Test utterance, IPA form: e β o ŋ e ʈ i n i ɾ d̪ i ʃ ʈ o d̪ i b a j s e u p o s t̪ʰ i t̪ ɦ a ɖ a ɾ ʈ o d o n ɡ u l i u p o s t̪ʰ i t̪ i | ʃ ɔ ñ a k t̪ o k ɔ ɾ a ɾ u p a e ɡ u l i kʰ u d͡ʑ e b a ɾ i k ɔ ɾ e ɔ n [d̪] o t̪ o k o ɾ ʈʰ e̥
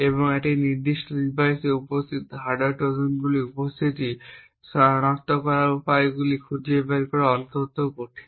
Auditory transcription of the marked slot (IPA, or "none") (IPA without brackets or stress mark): t̪